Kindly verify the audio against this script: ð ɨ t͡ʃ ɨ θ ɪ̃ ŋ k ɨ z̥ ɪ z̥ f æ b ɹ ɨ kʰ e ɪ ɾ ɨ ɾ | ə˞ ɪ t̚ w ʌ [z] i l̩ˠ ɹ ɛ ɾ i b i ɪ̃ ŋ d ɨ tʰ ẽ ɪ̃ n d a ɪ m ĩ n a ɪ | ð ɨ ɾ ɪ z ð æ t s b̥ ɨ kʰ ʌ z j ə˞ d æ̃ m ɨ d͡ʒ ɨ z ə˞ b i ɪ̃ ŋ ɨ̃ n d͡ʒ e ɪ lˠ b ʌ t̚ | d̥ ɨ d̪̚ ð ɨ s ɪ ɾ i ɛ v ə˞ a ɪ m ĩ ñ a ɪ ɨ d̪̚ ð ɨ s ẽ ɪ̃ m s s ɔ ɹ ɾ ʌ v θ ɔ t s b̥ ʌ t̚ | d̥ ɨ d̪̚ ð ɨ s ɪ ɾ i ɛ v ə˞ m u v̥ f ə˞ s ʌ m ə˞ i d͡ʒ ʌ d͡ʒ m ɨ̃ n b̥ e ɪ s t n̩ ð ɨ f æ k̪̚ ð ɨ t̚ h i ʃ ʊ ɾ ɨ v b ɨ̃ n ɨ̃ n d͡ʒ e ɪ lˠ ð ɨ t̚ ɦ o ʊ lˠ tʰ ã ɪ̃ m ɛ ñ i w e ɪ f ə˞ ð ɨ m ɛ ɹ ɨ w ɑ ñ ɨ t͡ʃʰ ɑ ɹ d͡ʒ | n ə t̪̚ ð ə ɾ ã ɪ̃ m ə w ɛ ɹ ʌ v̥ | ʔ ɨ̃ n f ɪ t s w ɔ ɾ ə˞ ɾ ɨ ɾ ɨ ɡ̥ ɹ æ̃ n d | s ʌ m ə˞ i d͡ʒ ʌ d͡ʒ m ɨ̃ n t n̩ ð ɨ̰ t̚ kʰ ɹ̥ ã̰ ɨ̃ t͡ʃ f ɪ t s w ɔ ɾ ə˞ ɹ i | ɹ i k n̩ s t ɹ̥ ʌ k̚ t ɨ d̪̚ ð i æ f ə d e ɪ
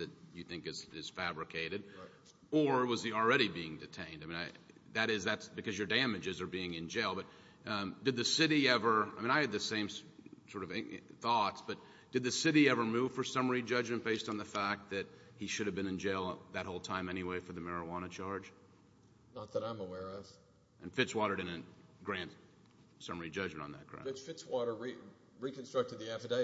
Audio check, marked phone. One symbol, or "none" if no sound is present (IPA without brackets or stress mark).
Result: z